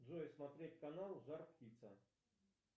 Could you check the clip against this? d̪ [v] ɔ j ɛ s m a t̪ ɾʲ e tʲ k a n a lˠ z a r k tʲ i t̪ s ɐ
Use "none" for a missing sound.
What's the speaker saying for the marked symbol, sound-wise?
z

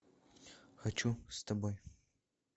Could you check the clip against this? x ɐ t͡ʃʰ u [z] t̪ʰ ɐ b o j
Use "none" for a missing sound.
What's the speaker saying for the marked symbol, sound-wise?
s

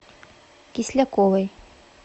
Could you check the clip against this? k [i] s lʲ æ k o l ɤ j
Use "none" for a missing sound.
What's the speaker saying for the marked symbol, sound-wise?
i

